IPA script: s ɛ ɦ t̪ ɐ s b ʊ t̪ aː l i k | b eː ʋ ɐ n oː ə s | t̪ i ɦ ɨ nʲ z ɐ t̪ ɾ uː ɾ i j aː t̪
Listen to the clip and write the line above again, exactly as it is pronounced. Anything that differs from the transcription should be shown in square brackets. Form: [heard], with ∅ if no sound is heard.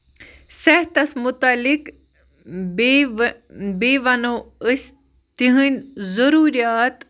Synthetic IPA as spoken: s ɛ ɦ t̪ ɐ s [m] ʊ t̪ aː l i k | b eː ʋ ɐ n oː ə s | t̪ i ɦ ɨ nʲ z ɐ [∅] ɾ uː ɾ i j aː t̪

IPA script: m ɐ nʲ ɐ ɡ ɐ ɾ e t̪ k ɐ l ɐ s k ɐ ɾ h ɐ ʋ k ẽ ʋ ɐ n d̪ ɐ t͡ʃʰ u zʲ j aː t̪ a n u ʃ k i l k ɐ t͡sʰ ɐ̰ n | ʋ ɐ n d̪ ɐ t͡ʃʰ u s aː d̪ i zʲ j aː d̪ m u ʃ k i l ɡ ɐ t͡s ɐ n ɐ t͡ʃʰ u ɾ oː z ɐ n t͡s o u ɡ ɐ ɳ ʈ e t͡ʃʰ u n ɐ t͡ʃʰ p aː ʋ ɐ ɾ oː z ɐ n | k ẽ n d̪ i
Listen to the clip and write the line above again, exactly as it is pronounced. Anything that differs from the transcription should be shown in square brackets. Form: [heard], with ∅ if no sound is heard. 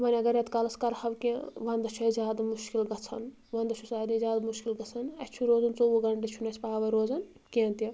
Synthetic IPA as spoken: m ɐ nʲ ɐ ɡ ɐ ɾ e t̪ k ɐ l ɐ s k ɐ ɾ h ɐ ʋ k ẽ ʋ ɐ n d̪ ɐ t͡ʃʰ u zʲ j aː [d̪] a [m] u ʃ k i l [ɡ] ɐ t͡sʰ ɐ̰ n | ʋ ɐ n d̪ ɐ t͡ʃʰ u s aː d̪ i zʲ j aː d̪ m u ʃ k i l ɡ ɐ [t͡sʰ] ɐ n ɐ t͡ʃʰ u ɾ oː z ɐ n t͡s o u ɡ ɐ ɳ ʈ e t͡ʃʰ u n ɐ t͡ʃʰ p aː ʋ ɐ ɾ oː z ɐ n | k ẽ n [t̪] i

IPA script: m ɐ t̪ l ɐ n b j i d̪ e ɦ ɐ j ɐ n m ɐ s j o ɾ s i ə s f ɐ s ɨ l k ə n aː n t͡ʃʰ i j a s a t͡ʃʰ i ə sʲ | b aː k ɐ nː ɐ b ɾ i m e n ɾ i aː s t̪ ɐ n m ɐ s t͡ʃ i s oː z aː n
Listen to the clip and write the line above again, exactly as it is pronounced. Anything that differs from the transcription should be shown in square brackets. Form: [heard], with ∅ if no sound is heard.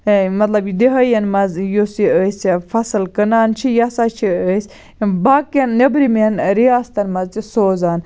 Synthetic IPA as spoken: m ɐ t̪ l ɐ [∅] b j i d̪ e ɦ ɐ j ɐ n m ɐ [z] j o [∅] s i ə s f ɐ s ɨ l k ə n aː n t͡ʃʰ i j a s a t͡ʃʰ i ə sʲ | b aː k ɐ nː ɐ b ɾ i m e n ɾ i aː s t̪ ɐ n m ɐ [z] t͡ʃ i s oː z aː n

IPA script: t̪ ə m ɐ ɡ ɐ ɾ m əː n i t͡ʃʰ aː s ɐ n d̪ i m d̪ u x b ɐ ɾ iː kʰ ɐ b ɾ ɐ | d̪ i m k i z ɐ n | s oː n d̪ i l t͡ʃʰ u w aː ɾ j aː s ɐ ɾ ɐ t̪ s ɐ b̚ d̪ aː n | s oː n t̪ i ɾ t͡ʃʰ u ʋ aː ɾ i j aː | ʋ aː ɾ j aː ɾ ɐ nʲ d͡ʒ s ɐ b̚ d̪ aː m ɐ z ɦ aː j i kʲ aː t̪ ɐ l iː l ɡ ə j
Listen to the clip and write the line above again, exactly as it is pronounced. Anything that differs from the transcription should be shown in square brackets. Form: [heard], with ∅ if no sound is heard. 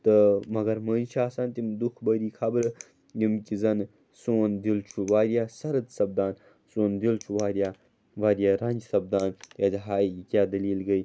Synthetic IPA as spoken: t̪ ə m ɐ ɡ ɐ ɾ m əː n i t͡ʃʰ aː s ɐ n [t̪] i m d̪ u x b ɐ ɾ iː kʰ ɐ b ɾ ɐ | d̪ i m k i z ɐ n | s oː n d̪ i l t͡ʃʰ u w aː ɾ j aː s ɐ ɾ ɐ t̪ s ɐ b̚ d̪ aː n | s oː n [d̪] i [l] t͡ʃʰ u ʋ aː ɾ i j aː | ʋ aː ɾ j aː ɾ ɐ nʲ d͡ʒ s ɐ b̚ d̪ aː [n] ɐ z ɦ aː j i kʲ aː [d̪] ɐ l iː l ɡ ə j

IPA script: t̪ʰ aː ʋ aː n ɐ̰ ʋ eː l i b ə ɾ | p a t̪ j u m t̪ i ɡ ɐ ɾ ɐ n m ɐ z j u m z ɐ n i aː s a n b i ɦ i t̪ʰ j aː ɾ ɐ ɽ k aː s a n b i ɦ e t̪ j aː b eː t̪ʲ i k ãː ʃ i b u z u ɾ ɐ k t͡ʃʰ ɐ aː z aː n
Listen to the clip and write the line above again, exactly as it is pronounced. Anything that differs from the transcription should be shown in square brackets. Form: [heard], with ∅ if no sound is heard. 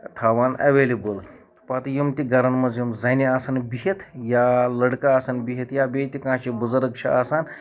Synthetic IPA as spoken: t̪ʰ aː ʋ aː n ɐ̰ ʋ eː l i b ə [l] | p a t̪ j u m t̪ i ɡ ɐ ɾ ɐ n m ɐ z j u m z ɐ n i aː s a n b i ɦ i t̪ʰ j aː [l] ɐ ɽ k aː s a n b i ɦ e t̪ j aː b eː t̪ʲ i k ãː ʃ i b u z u ɾ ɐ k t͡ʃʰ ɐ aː [s] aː n

